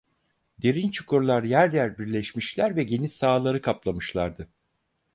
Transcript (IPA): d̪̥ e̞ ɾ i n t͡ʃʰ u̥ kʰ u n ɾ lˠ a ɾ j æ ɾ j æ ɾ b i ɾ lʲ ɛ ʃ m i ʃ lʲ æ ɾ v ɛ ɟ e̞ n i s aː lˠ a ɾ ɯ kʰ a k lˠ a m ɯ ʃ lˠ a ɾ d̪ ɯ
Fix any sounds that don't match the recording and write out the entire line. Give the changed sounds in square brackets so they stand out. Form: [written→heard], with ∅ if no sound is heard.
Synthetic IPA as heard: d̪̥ e̞ ɾ i n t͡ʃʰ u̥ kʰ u [n→∅] ɾ lˠ a ɾ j æ ɾ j æ ɾ b i ɾ lʲ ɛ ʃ m i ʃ lʲ æ ɾ v ɛ ɟ e̞ n i s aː lˠ a ɾ ɯ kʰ a [k→p] lˠ a m ɯ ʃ lˠ a ɾ d̪ ɯ

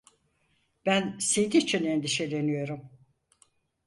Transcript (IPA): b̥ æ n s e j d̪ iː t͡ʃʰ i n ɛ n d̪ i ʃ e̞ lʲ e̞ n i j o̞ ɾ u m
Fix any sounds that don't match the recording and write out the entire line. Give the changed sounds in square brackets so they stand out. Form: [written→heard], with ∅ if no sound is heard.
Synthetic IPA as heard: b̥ æ n s e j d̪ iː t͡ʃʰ i n [ɛ→e] n d̪ i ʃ e̞ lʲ e̞ n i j o̞ ɾ u m

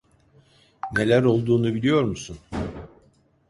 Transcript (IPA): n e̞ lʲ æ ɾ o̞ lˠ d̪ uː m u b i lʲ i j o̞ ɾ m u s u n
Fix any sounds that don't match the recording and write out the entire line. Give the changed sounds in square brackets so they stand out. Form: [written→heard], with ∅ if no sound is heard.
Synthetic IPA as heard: n e̞ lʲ æ ɾ o̞ lˠ d̪ uː [m→n] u b i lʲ i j o̞ ɾ m u s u n

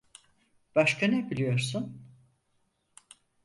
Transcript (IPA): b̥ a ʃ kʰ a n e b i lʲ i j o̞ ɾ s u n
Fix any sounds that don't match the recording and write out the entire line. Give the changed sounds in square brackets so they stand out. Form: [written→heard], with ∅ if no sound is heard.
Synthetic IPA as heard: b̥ a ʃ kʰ a n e b i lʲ i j o̞ ɾ s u n

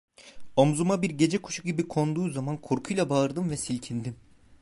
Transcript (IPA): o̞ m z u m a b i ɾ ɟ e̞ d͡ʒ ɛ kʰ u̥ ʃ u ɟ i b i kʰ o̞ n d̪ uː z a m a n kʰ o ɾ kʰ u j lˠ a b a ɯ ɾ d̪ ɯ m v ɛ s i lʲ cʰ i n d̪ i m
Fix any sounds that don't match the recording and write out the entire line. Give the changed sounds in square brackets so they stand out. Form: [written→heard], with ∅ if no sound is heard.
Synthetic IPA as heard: o̞ m z u m a b i ɾ ɟ e̞ d͡ʒ ɛ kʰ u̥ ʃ u ɟ i b i kʰ o̞ n d̪ uː z a m a n kʰ o ɾ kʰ u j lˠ a b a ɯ ɾ d̪ ɯ m v ɛ s i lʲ cʰ i n d̪ i m

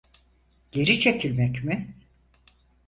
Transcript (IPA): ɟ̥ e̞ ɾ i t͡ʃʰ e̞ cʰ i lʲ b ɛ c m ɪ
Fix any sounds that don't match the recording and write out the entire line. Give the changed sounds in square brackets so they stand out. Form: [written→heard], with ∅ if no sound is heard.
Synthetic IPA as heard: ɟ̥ e̞ ɾ i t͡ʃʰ e̞ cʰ i lʲ [b→m] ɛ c m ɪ

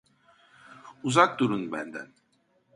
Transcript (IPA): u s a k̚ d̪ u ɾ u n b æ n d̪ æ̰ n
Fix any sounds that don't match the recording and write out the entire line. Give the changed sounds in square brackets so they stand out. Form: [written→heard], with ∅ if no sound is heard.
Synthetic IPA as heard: u [s→z] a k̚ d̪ u ɾ u n b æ n d̪ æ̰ n

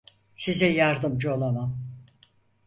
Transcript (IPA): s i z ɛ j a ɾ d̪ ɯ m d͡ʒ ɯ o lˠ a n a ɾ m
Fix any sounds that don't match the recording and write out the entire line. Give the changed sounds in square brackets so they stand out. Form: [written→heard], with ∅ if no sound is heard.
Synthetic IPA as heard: s i z ɛ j a ɾ d̪ ɯ m d͡ʒ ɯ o lˠ a [n→m] a [ɾ→∅] m

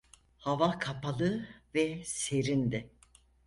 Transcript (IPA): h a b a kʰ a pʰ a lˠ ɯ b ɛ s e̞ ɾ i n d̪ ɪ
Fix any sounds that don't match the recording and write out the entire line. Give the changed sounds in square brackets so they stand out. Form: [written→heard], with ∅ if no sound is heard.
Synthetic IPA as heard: h a [b→v] a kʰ a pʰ a lˠ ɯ [b→v] ɛ s e̞ ɾ i n d̪ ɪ

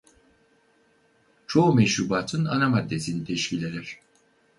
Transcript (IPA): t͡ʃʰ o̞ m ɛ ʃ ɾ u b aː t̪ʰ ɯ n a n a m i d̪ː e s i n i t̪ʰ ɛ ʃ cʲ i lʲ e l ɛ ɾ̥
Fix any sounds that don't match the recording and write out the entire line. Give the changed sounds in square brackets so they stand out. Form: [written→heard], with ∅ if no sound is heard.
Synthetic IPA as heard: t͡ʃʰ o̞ m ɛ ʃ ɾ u b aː t̪ʰ ɯ n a n a m [i→a] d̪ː e s i n i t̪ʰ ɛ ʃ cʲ i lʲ e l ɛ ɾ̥

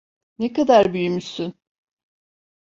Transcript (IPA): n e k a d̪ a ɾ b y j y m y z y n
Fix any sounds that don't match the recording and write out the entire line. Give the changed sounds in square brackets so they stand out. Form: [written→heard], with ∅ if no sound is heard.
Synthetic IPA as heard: n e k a d̪ a ɾ b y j y m y [z→s] y n

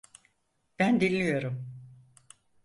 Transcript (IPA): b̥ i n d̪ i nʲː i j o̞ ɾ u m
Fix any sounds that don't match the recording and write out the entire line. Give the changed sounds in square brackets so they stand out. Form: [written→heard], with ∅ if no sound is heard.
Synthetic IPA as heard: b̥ [i→æ] n d̪ i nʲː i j o̞ ɾ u m

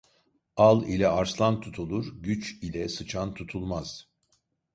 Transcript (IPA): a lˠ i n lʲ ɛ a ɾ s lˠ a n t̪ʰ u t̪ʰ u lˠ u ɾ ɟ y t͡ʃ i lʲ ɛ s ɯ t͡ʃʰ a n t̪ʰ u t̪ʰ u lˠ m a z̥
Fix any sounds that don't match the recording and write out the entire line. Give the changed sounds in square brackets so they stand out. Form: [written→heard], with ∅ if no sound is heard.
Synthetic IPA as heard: a lˠ i [n→∅] lʲ ɛ a ɾ s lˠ a n t̪ʰ u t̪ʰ u lˠ u ɾ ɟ y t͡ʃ i lʲ ɛ s ɯ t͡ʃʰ a n t̪ʰ u t̪ʰ u lˠ m a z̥

